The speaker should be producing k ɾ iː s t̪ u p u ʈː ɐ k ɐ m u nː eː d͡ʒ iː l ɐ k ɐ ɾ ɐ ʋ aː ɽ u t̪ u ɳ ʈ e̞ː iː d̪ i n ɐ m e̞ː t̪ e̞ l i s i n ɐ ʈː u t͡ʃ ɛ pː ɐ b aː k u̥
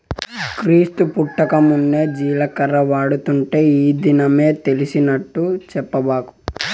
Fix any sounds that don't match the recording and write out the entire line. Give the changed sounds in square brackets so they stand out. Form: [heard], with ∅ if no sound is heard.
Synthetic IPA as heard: k ɾ iː s t̪ u p u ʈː ɐ k ɐ m u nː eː d͡ʒ iː l ɐ k ɐ ɾ ɐ ʋ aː ɽ u t̪ u ɳ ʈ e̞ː iː d̪ i n ɐ m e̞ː t̪ e̞ l i s i n ɐ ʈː u t͡ʃ ɛ pː ɐ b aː k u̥